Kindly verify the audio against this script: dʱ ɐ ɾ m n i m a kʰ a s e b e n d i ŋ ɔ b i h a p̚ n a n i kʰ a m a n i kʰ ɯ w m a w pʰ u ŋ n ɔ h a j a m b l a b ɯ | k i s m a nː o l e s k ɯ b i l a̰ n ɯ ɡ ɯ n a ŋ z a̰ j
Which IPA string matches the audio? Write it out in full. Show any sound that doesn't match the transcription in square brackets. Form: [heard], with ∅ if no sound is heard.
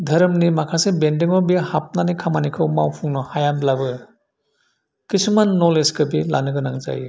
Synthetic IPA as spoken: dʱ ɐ ɾ m n i m a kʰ a s e b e n d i ŋ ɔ b i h a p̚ n a n i kʰ a m a n i kʰ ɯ w m a w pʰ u ŋ n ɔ h a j a m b l a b ɯ | k i s m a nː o l e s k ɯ b i l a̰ n ɯ ɡ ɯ n a ŋ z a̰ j